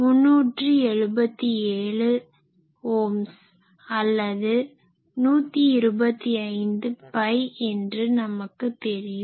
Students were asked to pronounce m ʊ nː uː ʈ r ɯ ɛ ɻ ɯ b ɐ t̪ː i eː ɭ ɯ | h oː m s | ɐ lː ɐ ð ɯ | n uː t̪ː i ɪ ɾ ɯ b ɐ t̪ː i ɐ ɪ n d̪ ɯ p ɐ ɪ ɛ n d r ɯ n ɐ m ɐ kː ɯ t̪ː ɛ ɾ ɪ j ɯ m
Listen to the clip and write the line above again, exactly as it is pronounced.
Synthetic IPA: m ʊ nː uː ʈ r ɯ ɛ ɻ ɯ b ɐ t̪ː i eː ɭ ɯ | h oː m s | ɐ lː ɐ ð ɯ | n uː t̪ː i ɪ ɾ ɯ b ɐ t̪ː i ɐ ɪ n d̪ ɯ p ɐ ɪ ɛ n d r ɯ n ɐ m ɐ kː ɯ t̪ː ɛ ɾ ɪ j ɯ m